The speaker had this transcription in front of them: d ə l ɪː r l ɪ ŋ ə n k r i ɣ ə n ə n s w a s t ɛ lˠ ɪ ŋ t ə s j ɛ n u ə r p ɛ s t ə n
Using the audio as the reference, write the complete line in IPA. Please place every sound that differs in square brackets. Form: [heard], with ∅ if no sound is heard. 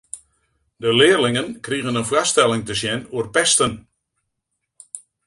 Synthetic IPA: d ə l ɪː r l ɪ ŋ ə n k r i ɣ ə n ə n [f] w a s t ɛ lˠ ɪ ŋ t ə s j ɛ n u ə r p ɛ s t ə n